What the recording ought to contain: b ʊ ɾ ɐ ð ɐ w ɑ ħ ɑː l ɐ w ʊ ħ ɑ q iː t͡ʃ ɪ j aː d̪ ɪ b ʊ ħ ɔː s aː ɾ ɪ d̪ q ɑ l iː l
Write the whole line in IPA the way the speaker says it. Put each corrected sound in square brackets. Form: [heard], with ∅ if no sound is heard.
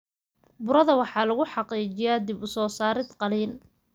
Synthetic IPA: b ʊ ɾ ɐ ð ɐ w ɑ ħ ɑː l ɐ [ɣ] ʊ ħ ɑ q iː t͡ʃ ɪ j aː d̪ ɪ b ʊ [s] ɔː s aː ɾ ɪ d̪ q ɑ l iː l